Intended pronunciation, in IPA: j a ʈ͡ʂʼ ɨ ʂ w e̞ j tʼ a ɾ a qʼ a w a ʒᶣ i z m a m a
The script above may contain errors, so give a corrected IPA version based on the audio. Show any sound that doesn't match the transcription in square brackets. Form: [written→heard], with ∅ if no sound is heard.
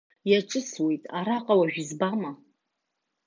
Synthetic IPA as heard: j a ʈ͡ʂʼ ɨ [ʂ→s] w e̞ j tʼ a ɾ a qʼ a w a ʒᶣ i z [m→b] a m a